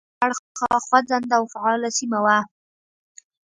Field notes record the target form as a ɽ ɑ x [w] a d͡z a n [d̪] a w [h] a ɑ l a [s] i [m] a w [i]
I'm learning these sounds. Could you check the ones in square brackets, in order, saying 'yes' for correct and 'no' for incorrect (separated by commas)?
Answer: yes, yes, no, yes, yes, no